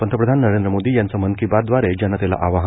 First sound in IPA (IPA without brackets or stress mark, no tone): p